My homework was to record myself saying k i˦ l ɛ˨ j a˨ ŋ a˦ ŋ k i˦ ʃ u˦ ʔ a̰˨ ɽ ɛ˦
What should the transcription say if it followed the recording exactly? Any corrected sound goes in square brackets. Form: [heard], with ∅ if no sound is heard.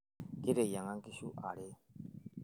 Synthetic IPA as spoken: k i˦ [ɾ] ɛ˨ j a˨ ŋ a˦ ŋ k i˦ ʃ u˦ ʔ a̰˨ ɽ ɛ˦